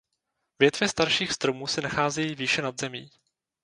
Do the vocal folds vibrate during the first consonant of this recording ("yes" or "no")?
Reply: yes